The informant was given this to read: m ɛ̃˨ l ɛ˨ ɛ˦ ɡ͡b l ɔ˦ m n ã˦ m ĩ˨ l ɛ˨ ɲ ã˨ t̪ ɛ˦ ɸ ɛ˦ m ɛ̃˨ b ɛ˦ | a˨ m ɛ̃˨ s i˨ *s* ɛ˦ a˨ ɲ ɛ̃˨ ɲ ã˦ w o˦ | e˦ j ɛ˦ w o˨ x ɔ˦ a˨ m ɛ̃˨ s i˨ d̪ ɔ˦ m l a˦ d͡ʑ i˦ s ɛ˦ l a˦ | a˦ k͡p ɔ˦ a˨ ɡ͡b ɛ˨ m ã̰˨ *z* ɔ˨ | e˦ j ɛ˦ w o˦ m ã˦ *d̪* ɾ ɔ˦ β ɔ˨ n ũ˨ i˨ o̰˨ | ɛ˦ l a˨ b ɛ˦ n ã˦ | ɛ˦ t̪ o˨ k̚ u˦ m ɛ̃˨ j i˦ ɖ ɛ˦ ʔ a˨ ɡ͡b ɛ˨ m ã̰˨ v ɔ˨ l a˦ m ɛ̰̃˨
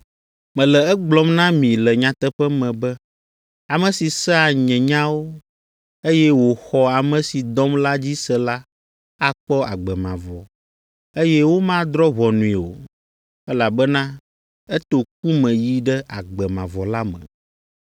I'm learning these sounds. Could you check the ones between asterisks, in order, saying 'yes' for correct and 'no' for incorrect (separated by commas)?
yes, no, yes